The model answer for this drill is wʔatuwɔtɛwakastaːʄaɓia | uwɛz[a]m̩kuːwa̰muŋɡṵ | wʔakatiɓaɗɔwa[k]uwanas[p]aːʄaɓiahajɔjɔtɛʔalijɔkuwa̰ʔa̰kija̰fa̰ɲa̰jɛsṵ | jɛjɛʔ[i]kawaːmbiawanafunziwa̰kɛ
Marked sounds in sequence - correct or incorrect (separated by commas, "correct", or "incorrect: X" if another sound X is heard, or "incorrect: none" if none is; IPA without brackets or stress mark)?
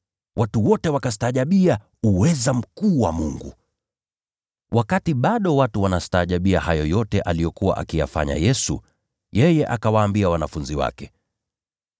correct, incorrect: t, incorrect: t, incorrect: a